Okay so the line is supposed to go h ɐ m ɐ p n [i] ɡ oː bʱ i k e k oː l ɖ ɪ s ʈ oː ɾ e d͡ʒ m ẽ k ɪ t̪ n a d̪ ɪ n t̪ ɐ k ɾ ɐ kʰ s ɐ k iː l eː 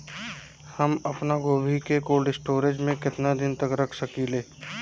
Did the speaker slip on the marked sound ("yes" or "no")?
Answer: yes